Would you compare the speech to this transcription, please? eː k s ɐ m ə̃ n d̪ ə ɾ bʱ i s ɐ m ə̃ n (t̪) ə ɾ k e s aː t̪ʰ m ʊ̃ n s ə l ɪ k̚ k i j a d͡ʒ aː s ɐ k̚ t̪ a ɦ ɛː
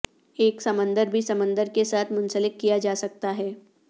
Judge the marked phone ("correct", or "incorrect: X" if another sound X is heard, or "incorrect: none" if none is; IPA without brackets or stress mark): incorrect: d̪